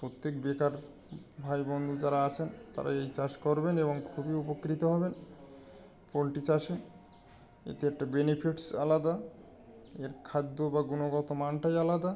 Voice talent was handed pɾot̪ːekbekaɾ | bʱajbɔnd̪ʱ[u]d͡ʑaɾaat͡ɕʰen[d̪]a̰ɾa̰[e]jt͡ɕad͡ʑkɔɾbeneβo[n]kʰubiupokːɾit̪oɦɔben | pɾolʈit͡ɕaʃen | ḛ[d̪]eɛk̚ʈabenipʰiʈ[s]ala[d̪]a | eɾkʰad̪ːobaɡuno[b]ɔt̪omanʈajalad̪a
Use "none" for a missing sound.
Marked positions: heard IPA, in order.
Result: u, t̪, e, ŋ, t̪, s, d̪, ɡ

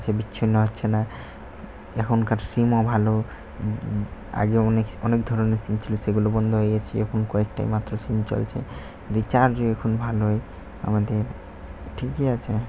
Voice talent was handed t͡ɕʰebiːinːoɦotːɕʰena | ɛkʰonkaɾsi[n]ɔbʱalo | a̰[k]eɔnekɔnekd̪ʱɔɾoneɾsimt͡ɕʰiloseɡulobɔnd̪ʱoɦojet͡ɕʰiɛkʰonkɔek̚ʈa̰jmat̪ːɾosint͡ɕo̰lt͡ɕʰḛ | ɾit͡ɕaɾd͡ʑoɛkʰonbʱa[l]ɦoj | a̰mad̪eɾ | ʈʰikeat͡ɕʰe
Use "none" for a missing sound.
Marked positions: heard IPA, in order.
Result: m, ɡ, l

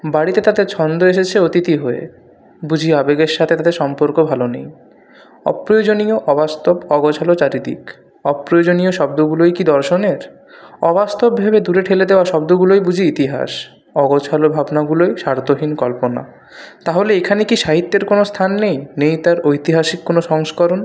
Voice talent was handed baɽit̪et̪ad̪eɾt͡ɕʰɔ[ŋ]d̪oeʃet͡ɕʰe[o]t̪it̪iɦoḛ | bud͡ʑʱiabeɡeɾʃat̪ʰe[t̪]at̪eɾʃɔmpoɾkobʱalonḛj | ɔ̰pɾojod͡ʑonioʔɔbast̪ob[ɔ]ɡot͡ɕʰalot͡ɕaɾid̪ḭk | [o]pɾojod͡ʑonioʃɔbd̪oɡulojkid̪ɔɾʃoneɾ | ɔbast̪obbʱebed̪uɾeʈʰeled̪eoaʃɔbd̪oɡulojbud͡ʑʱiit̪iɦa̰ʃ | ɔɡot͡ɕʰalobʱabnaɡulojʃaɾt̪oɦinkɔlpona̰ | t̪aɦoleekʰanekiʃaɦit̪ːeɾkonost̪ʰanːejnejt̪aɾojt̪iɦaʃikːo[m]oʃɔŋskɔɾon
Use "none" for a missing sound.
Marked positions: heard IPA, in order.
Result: n, o, t̪, ɔ, ɔ, n

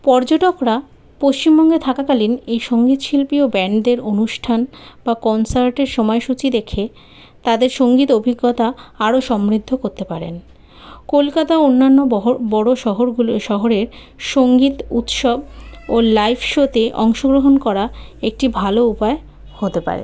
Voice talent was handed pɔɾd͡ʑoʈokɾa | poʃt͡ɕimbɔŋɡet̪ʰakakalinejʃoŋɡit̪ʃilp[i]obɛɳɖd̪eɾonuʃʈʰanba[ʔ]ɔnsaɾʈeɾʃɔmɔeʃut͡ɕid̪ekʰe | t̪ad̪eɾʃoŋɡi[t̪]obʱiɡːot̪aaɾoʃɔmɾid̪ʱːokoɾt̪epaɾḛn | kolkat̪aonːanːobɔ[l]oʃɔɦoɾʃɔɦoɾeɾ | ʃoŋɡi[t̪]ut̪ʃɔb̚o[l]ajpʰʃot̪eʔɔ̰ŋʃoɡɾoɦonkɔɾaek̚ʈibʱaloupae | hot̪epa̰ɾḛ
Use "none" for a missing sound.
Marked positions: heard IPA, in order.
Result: i, k, t̪, ɽ, t̪, l

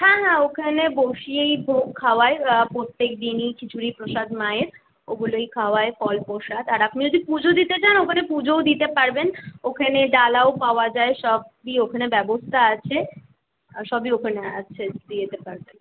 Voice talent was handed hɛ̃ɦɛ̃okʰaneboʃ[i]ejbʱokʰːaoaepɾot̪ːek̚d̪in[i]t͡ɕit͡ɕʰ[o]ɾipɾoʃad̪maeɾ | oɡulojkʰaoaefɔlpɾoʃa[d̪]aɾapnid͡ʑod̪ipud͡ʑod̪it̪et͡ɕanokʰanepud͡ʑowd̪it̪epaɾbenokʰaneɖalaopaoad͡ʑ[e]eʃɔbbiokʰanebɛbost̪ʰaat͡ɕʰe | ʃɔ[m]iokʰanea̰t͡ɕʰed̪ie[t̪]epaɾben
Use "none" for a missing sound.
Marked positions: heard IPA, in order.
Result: i, i, u, d̪, a, b, t̪

